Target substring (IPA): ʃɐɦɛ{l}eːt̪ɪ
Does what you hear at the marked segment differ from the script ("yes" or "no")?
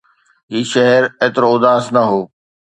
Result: yes